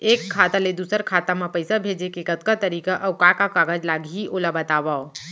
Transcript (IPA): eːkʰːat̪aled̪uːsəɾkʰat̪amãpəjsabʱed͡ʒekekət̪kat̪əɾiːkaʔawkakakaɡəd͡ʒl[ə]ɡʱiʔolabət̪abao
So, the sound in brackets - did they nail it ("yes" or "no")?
no